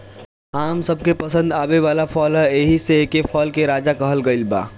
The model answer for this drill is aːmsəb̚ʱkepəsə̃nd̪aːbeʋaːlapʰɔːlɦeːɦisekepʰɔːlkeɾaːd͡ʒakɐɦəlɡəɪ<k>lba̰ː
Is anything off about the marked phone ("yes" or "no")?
yes